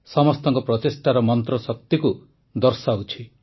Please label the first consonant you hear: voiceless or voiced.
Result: voiceless